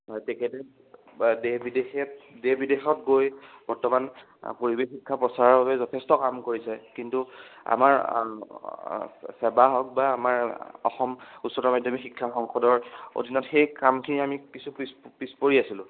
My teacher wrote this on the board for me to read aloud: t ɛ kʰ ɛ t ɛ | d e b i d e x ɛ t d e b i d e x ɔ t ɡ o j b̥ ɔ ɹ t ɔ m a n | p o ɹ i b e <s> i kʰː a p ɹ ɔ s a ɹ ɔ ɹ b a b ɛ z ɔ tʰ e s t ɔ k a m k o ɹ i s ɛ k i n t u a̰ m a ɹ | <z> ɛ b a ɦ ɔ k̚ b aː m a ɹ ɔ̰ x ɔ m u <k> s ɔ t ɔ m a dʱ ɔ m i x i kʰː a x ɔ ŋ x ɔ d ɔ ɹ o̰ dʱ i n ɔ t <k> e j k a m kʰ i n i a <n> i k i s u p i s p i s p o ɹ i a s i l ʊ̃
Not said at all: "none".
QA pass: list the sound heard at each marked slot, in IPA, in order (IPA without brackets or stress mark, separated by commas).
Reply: x, s, t, x, m